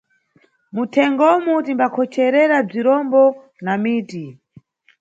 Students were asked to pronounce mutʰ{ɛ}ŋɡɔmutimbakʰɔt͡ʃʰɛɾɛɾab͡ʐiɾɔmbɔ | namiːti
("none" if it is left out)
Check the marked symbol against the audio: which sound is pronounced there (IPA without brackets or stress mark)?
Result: ɛ